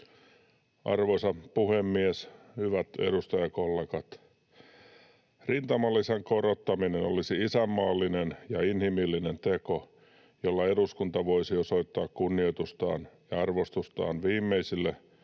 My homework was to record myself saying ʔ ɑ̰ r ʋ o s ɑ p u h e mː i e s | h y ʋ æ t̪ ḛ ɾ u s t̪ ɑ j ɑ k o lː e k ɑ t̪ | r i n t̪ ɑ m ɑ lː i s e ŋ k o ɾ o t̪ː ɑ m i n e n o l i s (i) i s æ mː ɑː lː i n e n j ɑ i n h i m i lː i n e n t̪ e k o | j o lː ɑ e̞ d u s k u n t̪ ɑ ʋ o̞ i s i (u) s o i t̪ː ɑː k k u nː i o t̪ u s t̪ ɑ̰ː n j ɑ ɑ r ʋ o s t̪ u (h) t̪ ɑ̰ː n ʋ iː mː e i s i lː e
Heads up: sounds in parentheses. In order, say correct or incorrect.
correct, incorrect, incorrect

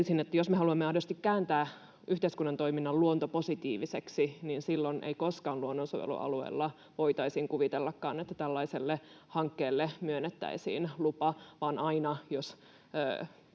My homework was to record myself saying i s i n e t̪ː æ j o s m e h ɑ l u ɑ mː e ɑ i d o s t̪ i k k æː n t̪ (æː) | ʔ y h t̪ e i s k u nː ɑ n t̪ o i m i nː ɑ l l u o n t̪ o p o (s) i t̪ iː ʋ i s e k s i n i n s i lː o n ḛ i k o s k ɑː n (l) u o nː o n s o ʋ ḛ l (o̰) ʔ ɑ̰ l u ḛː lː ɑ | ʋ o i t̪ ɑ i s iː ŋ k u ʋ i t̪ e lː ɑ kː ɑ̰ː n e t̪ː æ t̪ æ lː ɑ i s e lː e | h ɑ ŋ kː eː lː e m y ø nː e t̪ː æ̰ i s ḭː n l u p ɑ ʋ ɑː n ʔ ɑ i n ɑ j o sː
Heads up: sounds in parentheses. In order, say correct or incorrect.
correct, correct, correct, incorrect

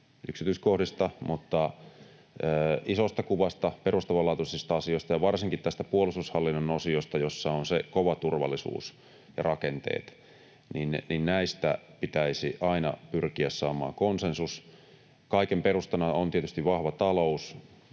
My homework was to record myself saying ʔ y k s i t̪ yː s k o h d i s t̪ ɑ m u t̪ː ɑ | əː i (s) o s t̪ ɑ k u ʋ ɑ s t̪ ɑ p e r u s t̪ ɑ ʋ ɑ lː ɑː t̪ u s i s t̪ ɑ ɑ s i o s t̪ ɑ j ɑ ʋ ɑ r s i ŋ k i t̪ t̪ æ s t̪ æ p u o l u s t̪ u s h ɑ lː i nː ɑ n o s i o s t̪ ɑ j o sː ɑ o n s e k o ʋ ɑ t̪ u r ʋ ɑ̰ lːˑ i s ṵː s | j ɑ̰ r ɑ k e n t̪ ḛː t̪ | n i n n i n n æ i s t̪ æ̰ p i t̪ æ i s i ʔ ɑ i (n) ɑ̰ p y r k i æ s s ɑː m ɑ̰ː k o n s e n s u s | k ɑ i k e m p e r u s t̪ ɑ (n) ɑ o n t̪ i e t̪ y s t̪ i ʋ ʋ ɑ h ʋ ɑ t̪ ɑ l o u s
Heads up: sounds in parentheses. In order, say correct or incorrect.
correct, correct, correct

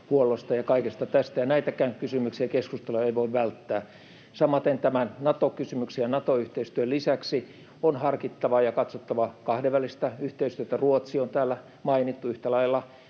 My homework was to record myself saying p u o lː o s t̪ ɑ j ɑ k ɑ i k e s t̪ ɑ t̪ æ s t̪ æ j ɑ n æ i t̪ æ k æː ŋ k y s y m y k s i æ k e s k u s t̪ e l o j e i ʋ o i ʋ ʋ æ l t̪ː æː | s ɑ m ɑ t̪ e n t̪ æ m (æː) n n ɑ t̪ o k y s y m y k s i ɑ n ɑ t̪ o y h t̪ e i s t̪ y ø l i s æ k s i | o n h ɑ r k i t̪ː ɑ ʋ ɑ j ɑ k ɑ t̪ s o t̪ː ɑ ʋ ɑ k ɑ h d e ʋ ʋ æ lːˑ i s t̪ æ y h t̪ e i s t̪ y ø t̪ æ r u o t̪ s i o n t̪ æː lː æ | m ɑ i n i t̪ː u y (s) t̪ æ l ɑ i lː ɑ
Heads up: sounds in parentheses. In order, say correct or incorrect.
incorrect, incorrect

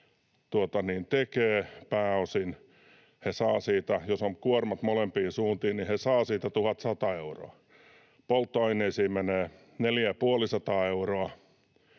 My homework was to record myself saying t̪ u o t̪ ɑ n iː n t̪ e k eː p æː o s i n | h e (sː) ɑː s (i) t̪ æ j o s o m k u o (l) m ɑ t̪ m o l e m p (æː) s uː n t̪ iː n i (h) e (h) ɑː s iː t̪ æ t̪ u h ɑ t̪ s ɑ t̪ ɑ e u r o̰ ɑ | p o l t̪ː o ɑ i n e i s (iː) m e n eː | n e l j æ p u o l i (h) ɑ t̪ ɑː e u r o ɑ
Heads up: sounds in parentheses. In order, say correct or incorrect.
incorrect, incorrect, incorrect, incorrect, correct, incorrect, correct, incorrect

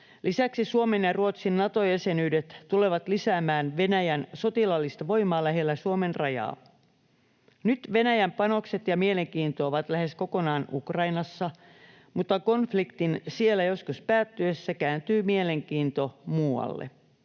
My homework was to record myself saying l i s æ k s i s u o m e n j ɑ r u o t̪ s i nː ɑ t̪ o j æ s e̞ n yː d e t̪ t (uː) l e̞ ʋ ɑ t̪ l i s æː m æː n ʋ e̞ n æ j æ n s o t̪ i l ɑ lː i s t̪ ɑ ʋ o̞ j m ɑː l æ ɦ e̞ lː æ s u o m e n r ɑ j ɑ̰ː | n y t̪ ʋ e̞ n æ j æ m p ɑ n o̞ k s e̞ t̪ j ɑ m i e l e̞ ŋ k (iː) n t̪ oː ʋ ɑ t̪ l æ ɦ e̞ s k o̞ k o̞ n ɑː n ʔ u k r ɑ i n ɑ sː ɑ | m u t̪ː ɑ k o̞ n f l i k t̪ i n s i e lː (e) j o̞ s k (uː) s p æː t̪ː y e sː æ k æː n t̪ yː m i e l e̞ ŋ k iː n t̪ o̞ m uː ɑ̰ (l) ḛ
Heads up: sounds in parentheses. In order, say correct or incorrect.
incorrect, correct, incorrect, incorrect, incorrect

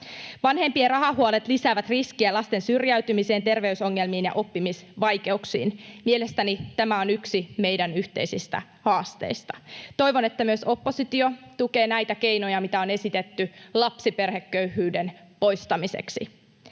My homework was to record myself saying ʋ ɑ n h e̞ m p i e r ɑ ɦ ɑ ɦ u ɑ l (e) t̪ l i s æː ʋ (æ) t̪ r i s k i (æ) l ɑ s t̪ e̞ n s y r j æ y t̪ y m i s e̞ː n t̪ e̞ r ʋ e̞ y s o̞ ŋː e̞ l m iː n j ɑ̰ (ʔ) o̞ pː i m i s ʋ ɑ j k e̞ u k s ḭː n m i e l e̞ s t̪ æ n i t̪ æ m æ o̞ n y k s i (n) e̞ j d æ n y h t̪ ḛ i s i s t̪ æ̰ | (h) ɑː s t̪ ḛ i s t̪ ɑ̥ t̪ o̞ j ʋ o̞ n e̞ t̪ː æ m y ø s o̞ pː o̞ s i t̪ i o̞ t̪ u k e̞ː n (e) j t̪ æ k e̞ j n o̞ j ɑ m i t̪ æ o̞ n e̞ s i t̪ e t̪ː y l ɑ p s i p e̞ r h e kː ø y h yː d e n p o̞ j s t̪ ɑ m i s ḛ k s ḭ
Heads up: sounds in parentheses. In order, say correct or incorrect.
correct, correct, correct, correct, incorrect, correct, incorrect

